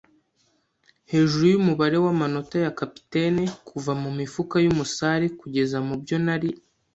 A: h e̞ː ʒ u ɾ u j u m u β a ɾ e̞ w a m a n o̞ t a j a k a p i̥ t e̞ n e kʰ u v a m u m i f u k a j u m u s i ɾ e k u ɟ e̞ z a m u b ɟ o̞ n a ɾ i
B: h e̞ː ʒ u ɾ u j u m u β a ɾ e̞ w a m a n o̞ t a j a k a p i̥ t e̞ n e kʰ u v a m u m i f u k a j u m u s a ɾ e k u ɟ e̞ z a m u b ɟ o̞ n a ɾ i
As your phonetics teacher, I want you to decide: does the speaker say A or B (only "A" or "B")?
B